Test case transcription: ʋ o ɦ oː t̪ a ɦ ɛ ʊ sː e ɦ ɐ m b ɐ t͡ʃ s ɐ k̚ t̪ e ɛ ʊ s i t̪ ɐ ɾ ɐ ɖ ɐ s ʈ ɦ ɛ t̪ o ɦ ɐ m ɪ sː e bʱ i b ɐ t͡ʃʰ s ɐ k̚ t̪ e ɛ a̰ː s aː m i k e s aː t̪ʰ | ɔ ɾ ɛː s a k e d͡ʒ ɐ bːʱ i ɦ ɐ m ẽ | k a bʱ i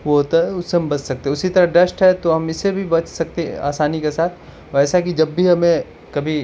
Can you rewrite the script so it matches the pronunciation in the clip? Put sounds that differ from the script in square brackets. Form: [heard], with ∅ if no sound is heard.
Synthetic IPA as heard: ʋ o ɦ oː t̪ a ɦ ɛ ʊ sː e ɦ ɐ m b ɐ t͡ʃ s ɐ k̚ t̪ e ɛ ʊ s i t̪ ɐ ɾ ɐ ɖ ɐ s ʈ ɦ ɛ t̪ o ɦ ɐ m ɪ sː e bʱ i b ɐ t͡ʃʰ s ɐ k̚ t̪ e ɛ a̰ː s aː [n] i k e s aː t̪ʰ | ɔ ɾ ɛː s a k [i] d͡ʒ ɐ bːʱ i ɦ ɐ m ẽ | k [ɐ] bʱ i